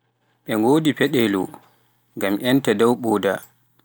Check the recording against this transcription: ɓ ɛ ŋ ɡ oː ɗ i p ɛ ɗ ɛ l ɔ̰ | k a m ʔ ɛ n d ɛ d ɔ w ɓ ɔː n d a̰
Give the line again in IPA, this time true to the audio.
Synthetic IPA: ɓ ɛ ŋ ɡ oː d i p ɛ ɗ ɛ l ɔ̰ | ɡ a m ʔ ɛ n t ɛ d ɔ w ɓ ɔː d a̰